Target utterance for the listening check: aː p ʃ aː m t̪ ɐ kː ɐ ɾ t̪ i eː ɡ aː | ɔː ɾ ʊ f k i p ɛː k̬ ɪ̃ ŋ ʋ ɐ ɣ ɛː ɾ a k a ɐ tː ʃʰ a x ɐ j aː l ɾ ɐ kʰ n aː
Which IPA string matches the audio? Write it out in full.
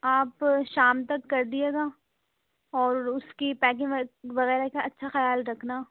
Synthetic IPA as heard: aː p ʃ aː m t̪ ɐ kː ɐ ɾ d̪ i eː ɡ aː | ɔː ɾ ʊ s k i p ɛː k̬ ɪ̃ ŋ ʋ ɐ ɣ ɛː ɾ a k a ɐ tː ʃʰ a x ɐ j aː l ɾ ɐ kʰ n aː